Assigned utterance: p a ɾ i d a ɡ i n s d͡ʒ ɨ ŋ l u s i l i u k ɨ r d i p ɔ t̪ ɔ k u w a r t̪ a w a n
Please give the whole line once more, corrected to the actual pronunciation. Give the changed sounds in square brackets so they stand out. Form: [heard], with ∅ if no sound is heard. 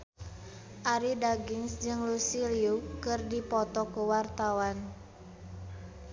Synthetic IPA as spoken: [ʔ] a ɾ i d a ɡ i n s d͡ʒ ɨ ŋ l u s i l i u k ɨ r d i p ɔ t̪ ɔ k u w a r t̪ a w a n